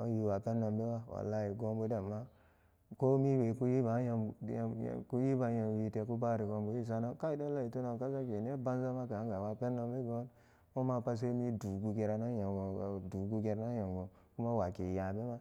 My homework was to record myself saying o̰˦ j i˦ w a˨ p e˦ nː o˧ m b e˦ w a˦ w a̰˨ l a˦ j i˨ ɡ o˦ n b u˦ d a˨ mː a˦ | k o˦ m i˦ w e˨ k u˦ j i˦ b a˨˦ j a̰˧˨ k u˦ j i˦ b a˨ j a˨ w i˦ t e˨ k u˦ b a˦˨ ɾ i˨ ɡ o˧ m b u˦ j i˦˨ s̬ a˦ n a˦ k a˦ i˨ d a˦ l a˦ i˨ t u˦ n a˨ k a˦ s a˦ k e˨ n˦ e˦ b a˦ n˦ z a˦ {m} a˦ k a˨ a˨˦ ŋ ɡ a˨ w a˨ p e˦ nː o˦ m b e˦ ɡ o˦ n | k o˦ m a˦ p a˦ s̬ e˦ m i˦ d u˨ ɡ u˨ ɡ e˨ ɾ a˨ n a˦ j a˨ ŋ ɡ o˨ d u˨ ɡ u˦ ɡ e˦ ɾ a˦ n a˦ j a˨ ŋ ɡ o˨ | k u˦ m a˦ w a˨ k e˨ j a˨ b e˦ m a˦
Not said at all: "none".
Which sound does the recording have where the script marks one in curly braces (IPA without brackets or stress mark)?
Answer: m